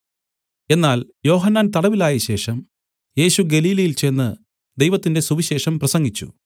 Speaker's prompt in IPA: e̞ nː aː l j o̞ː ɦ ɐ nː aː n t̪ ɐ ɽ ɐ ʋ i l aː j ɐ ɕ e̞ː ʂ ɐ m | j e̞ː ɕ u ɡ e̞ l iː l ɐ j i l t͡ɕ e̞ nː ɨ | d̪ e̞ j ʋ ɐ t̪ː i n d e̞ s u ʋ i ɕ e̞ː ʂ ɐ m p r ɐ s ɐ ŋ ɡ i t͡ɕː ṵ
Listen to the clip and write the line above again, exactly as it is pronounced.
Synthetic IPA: e̞ nː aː l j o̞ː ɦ ɐ nː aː n t̪ ɐ ɽ ɐ ʋ i l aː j ɐ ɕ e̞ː ʂ ɐ m | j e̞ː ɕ u ɡ e̞ l iː l ɐ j i l t͡ɕ e̞ nː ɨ | d̪ e̞ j ʋ ɐ t̪ː i n d e̞ s u ʋ i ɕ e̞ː ʂ ɐ m p r ɐ s ɐ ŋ ɡ i t͡ɕː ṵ